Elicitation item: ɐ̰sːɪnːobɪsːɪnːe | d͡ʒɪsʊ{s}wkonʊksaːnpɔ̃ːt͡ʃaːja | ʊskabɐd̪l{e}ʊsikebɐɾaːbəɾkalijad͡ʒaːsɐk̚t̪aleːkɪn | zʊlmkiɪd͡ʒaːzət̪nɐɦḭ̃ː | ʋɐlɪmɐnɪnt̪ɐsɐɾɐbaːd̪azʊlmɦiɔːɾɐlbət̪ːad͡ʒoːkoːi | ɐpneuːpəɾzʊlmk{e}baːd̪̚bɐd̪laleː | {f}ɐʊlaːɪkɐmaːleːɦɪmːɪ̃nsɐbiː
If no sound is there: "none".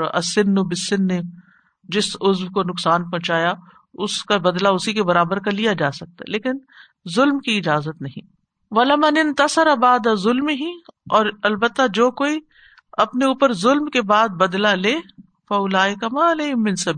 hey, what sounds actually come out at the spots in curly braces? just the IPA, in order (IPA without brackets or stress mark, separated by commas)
z, a, e, f